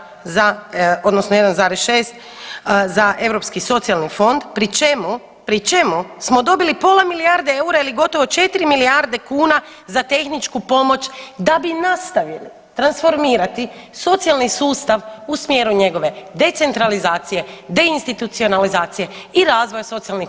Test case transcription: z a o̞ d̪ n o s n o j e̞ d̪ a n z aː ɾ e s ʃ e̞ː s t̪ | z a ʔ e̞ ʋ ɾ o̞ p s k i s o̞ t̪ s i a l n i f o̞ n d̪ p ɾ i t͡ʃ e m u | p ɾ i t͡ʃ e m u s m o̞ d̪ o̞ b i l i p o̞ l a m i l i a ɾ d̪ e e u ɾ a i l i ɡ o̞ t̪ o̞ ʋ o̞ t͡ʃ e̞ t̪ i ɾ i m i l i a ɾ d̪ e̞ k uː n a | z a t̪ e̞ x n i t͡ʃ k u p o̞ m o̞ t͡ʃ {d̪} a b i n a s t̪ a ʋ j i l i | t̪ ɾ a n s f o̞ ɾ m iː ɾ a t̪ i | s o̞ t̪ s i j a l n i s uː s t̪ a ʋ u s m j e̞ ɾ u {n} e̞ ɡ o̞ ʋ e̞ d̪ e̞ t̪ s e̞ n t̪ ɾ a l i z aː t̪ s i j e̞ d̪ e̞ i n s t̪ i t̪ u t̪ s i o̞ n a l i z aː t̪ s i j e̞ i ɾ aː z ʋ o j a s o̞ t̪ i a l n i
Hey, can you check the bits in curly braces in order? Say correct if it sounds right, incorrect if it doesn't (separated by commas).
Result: correct, incorrect